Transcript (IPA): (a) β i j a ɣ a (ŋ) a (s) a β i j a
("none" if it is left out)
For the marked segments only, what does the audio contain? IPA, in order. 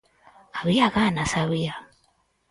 a, n, s

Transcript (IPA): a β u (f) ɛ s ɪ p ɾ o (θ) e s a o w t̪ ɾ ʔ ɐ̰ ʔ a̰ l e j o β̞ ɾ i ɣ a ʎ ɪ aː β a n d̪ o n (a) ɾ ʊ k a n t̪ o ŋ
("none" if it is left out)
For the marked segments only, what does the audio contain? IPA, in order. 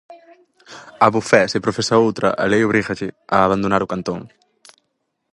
f, f, a

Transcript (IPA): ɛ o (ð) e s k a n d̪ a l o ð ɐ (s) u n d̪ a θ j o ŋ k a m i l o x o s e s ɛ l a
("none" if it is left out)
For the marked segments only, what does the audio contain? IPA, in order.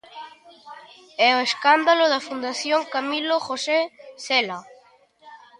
none, f

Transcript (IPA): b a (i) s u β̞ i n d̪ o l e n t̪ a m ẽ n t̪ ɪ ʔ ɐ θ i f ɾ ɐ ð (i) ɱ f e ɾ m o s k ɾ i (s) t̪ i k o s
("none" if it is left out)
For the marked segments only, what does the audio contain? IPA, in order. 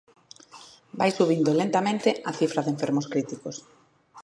j, e, none

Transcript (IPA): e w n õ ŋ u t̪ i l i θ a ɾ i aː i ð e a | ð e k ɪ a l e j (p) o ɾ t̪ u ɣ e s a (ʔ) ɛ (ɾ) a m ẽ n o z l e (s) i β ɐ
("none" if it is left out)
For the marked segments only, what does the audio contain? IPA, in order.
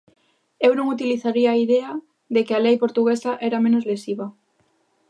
p, ʔ, ɾ, s

